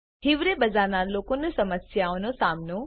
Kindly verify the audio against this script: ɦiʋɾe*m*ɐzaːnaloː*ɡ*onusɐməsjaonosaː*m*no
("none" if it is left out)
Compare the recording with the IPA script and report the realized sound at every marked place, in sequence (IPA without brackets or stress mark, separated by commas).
b, k, m